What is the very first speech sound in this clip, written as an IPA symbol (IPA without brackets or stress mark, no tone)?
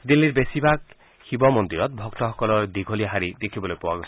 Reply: d̪